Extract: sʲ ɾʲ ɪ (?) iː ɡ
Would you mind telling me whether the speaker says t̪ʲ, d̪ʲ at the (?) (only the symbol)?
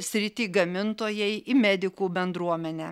t̪ʲ